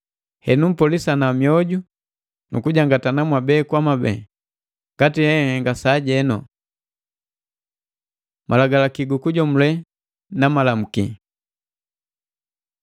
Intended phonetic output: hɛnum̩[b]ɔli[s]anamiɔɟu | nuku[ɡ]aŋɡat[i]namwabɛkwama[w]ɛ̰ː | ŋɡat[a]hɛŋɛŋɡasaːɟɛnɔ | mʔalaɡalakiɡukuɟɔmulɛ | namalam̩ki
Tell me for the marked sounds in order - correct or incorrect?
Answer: incorrect, correct, incorrect, incorrect, incorrect, incorrect

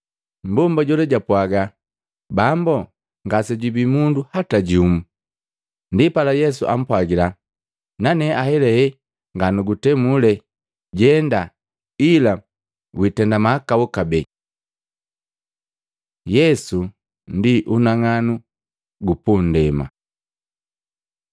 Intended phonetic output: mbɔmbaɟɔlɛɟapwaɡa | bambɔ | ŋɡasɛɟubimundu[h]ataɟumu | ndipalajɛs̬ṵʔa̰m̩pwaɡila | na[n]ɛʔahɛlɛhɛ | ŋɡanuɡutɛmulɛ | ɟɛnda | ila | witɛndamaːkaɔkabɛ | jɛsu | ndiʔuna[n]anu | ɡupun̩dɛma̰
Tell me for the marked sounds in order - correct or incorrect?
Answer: correct, correct, incorrect

